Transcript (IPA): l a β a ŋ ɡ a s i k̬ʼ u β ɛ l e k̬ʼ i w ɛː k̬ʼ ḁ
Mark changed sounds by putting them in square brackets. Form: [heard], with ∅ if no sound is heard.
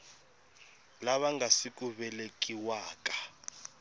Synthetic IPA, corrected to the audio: l a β a ŋ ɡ a s i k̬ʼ u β ɛ l e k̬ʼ i w [aː] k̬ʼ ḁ